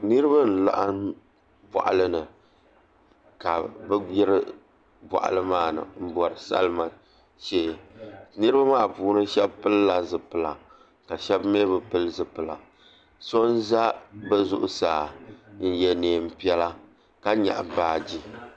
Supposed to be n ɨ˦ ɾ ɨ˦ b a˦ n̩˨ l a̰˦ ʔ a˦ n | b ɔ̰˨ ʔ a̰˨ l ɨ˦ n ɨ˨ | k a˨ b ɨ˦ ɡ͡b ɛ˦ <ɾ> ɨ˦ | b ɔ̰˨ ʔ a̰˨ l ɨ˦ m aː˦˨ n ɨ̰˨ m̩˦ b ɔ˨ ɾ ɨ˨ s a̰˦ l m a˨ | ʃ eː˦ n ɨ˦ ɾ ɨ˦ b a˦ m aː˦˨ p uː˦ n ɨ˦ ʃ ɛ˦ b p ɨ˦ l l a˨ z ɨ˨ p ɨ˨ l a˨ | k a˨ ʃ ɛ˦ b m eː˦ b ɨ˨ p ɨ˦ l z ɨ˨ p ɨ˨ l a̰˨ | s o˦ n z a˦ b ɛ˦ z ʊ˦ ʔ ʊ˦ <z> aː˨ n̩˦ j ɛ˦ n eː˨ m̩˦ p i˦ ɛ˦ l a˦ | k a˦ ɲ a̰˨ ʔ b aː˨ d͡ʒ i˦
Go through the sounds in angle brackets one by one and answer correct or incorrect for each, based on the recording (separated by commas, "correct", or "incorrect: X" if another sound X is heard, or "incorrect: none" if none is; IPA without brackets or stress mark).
correct, incorrect: s